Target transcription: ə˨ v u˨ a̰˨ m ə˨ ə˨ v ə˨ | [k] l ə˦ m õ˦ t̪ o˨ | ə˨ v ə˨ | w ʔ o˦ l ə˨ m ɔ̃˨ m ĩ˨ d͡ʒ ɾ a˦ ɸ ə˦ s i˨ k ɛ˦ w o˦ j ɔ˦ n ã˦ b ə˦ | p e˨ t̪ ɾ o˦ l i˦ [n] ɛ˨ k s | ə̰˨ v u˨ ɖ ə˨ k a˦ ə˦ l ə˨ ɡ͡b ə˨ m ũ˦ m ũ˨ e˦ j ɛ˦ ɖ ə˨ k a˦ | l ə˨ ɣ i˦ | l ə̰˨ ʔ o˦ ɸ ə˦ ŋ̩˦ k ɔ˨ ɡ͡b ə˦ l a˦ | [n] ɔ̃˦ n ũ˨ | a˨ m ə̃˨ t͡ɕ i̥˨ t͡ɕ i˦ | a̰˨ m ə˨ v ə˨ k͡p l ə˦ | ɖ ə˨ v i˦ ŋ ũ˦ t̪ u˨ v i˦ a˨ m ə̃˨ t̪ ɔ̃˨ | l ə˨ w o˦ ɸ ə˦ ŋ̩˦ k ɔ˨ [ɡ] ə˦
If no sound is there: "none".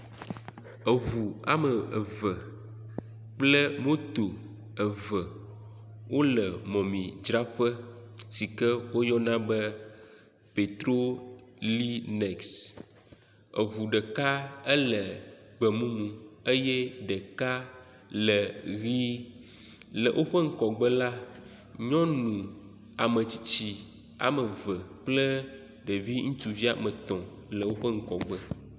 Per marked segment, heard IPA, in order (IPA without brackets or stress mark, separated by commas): k͡p, n, ɲ, ɡ͡b